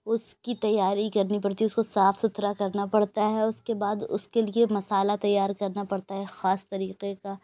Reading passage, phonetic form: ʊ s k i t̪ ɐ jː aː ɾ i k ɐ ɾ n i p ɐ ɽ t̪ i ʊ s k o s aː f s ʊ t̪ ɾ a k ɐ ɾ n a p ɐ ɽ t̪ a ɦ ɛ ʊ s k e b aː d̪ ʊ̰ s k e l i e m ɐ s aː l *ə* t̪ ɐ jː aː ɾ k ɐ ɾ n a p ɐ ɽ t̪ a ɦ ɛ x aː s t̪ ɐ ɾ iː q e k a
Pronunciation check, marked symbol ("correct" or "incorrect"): incorrect